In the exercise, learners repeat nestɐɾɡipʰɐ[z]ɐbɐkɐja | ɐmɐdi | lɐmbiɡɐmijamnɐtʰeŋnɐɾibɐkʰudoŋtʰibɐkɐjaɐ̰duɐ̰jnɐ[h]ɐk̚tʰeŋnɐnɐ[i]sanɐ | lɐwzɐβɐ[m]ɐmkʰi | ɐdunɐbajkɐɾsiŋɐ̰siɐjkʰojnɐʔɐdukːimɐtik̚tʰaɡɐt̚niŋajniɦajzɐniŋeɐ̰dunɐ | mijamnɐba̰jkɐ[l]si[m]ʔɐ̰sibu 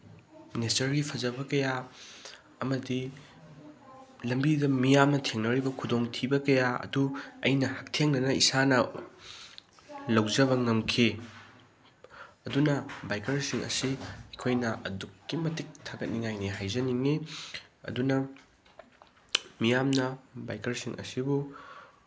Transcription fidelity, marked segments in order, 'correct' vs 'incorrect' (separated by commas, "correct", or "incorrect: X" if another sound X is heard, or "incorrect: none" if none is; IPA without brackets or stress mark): correct, correct, correct, incorrect: ŋ, incorrect: ɾ, incorrect: ŋ